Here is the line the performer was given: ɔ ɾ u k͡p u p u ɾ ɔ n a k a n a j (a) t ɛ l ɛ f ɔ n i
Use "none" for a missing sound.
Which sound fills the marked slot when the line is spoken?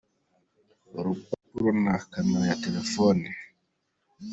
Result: a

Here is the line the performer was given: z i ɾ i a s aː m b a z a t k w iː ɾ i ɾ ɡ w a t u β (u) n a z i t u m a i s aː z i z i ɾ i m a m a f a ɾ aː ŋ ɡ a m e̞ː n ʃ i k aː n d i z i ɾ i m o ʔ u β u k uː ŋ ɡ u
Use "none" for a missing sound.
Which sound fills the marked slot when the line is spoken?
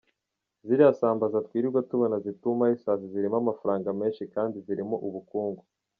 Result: o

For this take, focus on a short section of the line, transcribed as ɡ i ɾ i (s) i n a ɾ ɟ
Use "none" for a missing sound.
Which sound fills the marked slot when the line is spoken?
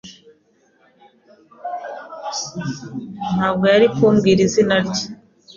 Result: z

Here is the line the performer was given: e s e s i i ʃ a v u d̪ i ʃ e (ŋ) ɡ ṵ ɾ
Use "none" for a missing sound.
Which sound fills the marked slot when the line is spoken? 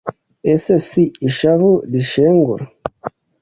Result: ŋ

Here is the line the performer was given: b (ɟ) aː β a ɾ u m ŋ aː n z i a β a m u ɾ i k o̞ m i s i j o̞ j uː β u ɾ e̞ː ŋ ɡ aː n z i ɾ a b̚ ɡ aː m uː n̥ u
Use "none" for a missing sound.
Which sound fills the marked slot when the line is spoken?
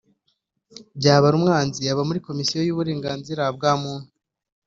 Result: ɟ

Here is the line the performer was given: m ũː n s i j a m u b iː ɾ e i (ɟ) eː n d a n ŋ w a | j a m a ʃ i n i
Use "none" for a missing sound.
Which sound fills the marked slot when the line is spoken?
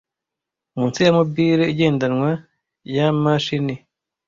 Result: ɟ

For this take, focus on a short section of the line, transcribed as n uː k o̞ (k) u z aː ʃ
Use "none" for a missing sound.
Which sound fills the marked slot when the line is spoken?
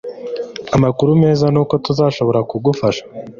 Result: t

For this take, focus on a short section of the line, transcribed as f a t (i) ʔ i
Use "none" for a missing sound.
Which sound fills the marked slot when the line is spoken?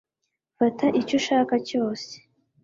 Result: a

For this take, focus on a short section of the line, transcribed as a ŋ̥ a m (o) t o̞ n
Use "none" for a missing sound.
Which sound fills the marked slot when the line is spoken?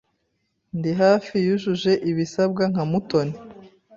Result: u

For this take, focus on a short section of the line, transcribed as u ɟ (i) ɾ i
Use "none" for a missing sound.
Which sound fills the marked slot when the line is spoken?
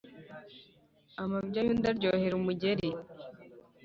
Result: e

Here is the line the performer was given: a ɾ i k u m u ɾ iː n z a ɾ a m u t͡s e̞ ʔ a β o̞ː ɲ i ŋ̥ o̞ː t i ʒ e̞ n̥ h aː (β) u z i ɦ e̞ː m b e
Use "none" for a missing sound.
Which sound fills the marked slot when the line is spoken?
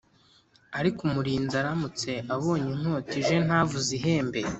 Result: v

